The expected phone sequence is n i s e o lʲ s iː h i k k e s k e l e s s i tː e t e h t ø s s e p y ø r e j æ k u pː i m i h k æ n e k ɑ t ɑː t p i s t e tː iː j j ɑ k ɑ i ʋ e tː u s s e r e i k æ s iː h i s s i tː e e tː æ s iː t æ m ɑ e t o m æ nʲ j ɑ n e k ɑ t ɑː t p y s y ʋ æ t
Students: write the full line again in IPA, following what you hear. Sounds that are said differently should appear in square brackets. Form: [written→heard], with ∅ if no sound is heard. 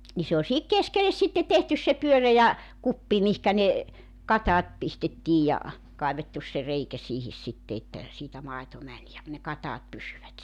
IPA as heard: n i s e o lʲ s [iː→i] h i k k e s k e l e s s i tː e t e h t [ø→y] s s e p y ø r e j æ k u pː i m i h k æ n e k ɑ t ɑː t p i s t e tː iː j j ɑ k ɑ i ʋ e tː u s s e r e i k æ s iː h i s s i tː e e tː æ s iː t æ m ɑ e t o m æ nʲ j ɑ n e k ɑ t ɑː t p y s y ʋ æ t